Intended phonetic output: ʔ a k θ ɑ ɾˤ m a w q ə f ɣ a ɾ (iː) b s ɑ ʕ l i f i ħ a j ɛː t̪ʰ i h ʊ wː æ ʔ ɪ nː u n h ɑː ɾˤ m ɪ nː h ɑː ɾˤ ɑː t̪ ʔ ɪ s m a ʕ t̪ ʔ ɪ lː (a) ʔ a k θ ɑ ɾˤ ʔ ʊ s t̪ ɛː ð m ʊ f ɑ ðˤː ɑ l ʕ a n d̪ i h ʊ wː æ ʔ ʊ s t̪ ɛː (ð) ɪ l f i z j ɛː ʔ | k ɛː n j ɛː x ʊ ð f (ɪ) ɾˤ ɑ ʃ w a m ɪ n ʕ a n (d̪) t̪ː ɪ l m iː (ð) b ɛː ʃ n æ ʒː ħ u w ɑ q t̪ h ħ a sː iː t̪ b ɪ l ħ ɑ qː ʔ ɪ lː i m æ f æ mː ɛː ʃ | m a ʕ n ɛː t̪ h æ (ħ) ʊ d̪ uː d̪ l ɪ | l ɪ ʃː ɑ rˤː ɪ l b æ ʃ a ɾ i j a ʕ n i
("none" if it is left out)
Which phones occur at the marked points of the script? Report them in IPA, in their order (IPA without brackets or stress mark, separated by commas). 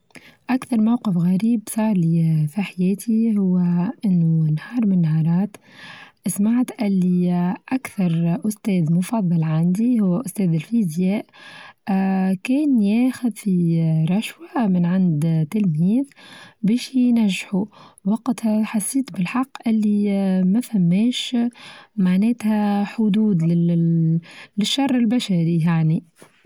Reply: iː, i, ð, i, d̪, ð, ħ